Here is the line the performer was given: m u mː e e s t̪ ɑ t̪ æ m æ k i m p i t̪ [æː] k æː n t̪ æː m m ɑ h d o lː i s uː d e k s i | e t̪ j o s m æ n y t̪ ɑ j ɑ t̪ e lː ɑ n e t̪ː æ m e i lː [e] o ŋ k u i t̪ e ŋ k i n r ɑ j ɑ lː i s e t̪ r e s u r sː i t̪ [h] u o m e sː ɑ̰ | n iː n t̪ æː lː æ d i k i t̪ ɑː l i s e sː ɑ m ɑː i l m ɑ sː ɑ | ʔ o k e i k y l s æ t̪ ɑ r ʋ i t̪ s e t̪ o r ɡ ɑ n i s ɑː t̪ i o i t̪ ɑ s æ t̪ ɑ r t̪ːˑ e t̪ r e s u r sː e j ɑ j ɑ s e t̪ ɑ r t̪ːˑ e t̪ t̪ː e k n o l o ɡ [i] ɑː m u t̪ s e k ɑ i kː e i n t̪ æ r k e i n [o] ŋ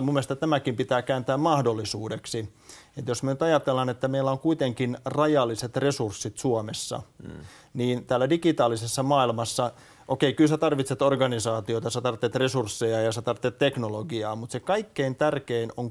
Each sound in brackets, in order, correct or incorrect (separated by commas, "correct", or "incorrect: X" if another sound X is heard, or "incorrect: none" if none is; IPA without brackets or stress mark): correct, incorrect: æ, incorrect: s, correct, correct